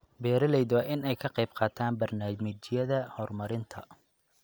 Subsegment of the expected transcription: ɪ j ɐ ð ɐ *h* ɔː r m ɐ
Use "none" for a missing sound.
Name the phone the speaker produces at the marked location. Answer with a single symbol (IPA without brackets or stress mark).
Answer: h